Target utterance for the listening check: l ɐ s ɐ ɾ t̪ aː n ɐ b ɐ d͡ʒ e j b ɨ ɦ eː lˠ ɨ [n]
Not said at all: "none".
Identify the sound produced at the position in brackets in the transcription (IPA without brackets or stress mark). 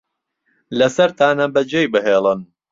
n